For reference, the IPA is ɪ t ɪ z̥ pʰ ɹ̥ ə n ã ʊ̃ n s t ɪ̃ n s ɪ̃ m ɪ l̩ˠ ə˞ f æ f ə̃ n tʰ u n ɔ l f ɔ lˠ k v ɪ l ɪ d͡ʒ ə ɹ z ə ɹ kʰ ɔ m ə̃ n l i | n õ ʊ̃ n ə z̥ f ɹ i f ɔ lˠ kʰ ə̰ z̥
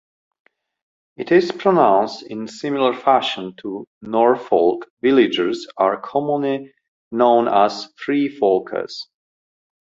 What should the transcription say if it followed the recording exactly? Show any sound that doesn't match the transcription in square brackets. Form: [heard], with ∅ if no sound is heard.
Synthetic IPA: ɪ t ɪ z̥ pʰ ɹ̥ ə n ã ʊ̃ n s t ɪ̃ n s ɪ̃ m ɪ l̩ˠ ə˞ f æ [ʃ] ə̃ n tʰ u n ɔ [ɹ] f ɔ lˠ k v ɪ l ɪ d͡ʒ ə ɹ z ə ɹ kʰ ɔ m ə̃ n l i | n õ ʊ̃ n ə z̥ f ɹ i f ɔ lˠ kʰ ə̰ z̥